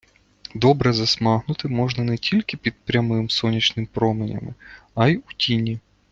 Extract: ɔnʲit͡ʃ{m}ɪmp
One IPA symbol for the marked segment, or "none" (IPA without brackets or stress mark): n